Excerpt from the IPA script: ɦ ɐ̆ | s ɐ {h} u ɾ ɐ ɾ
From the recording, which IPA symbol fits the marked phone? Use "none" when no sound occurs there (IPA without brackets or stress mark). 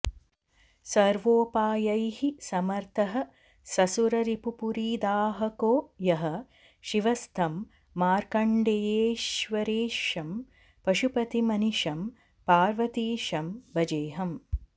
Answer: s